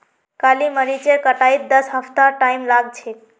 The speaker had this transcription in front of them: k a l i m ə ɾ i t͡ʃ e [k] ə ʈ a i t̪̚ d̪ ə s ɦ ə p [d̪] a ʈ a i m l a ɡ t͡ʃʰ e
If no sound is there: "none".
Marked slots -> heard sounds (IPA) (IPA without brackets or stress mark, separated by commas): k, t̪